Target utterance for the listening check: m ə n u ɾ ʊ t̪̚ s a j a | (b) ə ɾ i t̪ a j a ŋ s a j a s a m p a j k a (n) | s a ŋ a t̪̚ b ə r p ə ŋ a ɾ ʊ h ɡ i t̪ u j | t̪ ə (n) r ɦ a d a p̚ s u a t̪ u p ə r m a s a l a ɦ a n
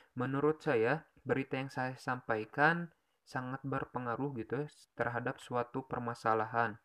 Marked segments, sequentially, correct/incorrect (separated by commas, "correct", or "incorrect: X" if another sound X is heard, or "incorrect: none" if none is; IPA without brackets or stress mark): correct, correct, incorrect: none